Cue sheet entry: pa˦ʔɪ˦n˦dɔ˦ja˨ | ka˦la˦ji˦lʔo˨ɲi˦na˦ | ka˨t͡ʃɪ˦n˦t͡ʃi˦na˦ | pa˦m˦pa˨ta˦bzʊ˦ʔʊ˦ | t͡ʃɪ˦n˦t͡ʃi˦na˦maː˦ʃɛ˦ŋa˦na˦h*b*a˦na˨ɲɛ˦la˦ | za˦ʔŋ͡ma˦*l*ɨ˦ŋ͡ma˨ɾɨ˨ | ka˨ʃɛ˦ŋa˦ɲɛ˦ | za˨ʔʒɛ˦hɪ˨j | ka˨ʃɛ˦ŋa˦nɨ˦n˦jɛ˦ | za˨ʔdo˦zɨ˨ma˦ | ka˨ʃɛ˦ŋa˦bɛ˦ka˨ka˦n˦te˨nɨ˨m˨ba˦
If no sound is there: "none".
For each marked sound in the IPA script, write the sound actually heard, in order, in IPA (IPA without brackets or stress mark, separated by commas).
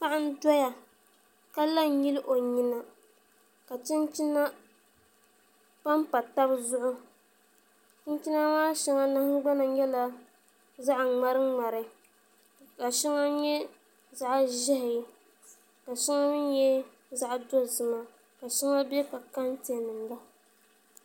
ɡ͡b, ɾ